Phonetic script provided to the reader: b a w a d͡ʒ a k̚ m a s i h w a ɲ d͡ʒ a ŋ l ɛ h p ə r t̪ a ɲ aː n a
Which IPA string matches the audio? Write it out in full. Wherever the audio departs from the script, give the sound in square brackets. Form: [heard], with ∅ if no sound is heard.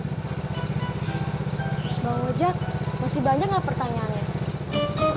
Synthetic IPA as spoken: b a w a d͡ʒ a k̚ m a s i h [b] a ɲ d͡ʒ a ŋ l [a] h p ə r t̪ a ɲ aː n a

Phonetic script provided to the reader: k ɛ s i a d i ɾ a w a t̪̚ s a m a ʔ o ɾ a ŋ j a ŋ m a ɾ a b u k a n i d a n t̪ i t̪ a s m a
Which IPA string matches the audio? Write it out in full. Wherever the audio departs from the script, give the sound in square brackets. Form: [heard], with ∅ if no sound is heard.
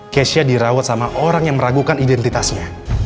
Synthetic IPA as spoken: k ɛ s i a d i ɾ a w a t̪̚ s a m a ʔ o ɾ a ŋ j a ŋ m [ə] ɾ a [ɡ] u k a n i d [ɛ] n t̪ i t̪ a s [ɲ] a

